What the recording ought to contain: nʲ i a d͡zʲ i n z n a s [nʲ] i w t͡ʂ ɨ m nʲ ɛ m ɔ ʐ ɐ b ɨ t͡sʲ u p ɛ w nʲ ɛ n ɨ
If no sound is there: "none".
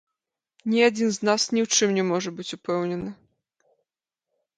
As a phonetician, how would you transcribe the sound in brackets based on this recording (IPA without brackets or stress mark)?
nʲ